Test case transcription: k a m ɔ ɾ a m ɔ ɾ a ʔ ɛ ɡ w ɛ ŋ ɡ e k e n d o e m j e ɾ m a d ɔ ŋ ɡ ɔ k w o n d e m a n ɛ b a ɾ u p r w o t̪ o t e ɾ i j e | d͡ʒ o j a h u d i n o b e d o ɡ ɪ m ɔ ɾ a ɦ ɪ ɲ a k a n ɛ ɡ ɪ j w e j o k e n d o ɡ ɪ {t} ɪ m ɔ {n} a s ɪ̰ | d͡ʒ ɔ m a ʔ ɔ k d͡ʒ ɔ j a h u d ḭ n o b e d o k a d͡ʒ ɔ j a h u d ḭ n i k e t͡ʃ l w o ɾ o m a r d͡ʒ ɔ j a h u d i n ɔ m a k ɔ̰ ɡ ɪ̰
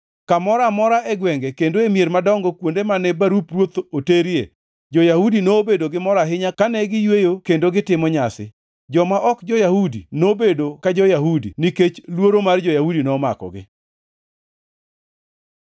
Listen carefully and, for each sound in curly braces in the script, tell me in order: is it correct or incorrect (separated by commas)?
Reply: correct, incorrect